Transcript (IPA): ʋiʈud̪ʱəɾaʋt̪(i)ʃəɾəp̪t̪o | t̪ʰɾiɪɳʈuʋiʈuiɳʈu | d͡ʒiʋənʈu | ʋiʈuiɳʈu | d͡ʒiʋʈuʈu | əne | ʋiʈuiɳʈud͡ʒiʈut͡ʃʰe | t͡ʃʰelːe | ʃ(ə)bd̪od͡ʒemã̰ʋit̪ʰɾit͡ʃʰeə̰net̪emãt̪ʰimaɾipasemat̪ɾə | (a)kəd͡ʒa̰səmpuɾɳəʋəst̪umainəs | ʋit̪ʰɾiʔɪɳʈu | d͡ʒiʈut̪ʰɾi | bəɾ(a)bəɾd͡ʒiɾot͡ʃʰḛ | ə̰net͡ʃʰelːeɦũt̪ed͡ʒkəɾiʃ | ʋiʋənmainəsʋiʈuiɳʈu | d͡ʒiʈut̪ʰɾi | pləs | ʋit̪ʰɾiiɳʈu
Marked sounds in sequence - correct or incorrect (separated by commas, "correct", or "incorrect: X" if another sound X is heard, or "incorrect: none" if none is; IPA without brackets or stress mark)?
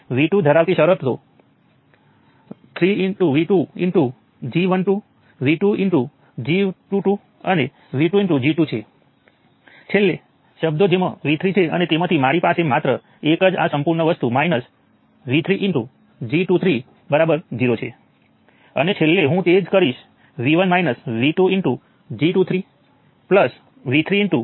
correct, correct, incorrect: e, correct